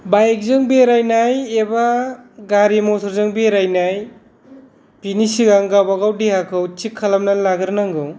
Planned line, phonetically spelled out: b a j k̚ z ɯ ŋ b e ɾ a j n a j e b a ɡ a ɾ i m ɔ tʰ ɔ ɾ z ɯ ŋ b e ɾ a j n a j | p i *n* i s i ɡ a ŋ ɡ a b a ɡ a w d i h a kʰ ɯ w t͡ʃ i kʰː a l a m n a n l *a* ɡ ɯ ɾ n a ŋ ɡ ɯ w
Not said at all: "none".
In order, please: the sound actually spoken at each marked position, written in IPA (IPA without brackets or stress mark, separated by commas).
n, a